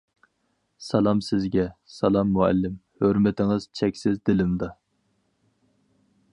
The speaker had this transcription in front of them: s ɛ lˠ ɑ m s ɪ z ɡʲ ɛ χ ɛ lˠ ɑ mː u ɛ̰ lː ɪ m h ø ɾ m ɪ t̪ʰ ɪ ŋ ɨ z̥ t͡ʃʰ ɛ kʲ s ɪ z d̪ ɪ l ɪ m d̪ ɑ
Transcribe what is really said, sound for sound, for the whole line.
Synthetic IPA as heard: s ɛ lˠ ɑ m s ɪ z ɡʲ ɛ s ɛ lˠ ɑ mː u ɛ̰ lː ɪ m h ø ɾ m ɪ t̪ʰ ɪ ŋ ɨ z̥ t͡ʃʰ ɛ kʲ s ɪ z d̪ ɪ l ɪ m d̪ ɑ